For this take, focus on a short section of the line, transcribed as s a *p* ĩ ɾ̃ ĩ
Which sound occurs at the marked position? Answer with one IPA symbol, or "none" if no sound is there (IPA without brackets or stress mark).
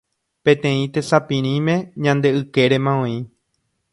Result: p